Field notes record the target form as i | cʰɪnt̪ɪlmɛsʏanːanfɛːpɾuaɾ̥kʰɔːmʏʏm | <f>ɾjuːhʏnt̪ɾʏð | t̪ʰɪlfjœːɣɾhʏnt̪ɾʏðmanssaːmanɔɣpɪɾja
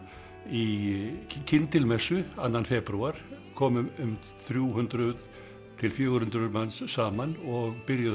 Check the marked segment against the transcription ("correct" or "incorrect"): incorrect